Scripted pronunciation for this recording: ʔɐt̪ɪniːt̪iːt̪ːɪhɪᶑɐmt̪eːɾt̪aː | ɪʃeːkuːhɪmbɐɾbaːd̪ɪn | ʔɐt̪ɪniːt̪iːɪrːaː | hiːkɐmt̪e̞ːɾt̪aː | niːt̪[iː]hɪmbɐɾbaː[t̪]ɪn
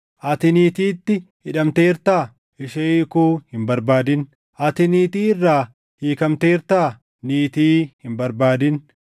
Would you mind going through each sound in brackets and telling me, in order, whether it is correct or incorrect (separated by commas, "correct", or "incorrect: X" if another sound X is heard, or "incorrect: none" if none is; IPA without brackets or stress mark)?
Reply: correct, incorrect: d̪